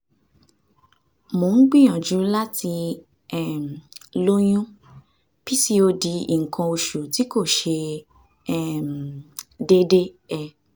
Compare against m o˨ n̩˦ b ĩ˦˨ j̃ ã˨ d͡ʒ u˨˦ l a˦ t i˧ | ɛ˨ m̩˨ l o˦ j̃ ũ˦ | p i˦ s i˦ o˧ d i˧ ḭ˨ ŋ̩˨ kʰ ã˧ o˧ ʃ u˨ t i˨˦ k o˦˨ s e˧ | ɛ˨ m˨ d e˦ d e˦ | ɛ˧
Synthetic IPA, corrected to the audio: m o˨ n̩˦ ɡ͡b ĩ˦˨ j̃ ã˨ d͡ʒ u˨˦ l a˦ t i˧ | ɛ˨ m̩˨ l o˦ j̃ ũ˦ | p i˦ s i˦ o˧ d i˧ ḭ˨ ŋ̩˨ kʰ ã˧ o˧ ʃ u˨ t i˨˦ k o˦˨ ʃ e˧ | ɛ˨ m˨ d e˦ d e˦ | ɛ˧